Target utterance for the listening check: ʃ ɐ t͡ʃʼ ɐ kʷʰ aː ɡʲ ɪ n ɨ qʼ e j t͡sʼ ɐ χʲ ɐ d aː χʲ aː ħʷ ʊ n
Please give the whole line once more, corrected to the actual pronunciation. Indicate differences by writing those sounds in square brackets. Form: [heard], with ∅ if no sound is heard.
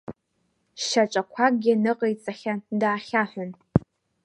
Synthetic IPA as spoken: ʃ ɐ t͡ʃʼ ɐ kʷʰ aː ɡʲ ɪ n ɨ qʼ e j t͡sʼ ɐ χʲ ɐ d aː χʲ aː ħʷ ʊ n